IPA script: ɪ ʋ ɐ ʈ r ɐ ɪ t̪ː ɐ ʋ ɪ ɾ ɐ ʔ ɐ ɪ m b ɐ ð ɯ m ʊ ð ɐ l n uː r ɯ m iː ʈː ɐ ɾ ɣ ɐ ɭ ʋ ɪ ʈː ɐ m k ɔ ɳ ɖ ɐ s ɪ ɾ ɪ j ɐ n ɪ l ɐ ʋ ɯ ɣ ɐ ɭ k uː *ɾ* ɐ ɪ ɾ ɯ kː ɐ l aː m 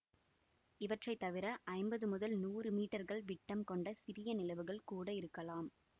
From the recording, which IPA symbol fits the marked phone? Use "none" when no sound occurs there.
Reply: ɽ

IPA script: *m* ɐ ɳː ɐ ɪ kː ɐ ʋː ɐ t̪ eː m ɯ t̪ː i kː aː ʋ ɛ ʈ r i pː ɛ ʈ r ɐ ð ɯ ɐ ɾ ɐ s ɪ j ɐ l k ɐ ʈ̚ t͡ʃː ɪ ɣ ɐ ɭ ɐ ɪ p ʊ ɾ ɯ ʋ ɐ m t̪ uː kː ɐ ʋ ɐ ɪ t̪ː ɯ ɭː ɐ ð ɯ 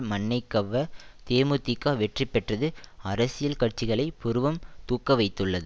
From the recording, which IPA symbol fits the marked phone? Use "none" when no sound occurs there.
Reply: m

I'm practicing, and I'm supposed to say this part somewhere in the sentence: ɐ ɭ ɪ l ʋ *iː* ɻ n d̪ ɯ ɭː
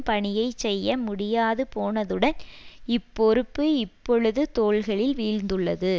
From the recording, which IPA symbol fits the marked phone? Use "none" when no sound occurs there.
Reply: iː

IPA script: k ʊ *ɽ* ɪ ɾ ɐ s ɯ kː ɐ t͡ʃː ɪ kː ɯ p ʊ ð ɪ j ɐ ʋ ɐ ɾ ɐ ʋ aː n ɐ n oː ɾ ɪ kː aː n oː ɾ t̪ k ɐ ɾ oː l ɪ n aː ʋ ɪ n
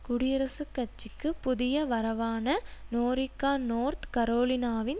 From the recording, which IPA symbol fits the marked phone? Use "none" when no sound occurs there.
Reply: ɽ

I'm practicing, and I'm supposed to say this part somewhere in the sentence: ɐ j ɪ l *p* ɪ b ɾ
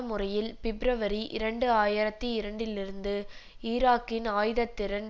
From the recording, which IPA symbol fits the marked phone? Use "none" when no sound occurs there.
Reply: p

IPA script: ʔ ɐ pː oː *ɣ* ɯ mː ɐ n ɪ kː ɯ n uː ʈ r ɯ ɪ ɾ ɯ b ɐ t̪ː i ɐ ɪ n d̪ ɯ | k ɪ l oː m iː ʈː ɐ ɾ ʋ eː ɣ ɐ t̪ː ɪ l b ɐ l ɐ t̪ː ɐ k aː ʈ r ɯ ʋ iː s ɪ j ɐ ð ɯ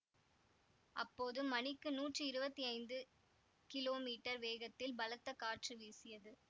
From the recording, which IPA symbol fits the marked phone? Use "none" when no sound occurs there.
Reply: ð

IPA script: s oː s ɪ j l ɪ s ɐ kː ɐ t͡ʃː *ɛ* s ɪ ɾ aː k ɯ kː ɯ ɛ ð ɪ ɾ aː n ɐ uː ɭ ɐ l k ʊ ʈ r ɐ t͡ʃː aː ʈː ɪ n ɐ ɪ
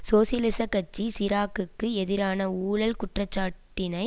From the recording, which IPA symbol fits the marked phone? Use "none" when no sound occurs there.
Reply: i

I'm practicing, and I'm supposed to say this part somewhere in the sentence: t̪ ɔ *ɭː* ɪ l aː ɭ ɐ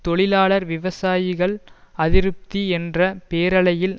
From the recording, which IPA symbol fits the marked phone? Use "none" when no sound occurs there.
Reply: ɭ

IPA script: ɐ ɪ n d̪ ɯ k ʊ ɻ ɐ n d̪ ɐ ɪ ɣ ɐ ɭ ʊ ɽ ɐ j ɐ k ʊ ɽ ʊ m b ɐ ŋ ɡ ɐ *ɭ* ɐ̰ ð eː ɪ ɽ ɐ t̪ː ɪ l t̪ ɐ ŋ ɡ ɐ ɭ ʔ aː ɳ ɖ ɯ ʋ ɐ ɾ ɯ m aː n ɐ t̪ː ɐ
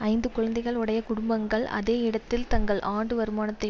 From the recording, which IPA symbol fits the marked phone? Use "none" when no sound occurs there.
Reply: ɭ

